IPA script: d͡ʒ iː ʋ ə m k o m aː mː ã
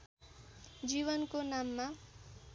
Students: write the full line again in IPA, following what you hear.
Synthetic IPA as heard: d͡ʒ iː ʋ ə n k o n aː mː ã